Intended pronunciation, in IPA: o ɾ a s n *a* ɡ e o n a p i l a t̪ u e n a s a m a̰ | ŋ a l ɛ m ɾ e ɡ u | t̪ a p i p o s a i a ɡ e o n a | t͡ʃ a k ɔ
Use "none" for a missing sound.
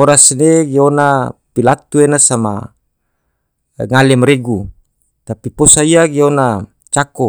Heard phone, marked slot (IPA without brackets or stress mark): e